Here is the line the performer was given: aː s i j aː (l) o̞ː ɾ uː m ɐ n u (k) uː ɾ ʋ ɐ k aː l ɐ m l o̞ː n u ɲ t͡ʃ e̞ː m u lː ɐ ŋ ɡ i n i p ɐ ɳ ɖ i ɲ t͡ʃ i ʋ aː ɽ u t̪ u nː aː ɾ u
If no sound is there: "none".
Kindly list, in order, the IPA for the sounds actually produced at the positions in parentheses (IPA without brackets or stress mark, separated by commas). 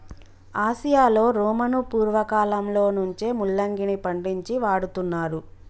l, p